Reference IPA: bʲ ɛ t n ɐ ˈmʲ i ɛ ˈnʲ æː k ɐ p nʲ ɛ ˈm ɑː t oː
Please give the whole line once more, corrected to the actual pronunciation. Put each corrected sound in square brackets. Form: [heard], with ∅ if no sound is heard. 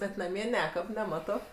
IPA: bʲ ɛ t n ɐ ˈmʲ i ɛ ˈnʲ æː k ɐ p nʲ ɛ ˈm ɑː t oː